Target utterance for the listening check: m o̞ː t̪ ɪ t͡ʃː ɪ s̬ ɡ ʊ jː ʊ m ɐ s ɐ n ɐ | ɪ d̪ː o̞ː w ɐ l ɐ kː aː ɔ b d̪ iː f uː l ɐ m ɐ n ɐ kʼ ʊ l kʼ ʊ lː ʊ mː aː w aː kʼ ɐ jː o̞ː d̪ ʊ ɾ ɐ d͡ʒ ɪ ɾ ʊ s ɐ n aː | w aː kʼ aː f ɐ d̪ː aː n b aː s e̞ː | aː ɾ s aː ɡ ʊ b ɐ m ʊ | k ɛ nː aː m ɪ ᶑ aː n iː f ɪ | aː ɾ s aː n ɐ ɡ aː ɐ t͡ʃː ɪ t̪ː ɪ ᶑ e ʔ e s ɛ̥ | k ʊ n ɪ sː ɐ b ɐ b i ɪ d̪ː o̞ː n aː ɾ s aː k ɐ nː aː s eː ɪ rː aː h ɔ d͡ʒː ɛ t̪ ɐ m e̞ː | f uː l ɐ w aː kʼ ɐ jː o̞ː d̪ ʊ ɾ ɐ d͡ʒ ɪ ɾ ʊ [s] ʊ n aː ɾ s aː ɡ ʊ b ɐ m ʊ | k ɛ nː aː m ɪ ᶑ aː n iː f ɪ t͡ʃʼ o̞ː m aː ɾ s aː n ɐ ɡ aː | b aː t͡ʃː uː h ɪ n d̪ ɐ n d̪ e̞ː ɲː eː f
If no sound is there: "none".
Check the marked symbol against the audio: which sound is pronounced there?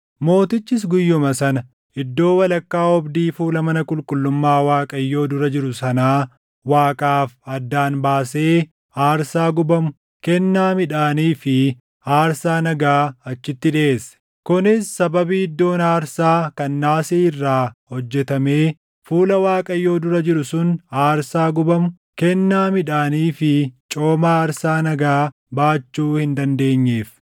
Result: s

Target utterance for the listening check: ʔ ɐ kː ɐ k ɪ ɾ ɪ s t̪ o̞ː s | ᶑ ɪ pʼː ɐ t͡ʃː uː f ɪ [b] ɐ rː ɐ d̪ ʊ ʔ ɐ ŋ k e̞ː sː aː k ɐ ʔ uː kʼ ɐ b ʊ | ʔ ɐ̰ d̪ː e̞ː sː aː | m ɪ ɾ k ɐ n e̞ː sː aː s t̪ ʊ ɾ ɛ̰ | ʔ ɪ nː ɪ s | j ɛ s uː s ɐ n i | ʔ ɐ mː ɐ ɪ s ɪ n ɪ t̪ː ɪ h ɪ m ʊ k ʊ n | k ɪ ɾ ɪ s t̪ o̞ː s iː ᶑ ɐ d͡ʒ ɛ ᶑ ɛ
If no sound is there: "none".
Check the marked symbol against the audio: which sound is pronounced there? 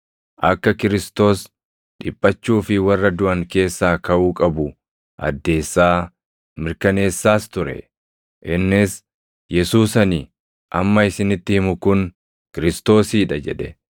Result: w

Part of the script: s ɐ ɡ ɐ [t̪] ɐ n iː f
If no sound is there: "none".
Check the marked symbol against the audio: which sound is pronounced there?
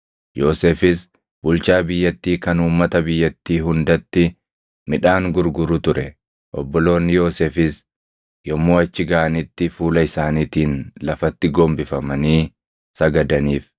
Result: d̪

